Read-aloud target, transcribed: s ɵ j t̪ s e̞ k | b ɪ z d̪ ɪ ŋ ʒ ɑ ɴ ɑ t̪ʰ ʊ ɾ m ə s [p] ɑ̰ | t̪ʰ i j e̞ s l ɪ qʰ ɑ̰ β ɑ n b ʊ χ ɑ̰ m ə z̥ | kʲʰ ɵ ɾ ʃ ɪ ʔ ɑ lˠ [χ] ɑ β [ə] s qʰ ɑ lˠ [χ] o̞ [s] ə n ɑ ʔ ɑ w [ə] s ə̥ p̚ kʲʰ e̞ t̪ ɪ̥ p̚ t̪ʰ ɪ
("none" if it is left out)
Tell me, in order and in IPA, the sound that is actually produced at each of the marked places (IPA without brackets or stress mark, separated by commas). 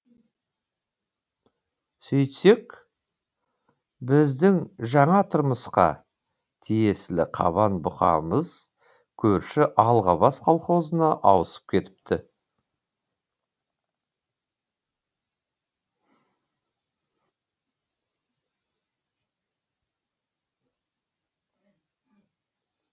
q, ʁ, ɑ, χ, z, ə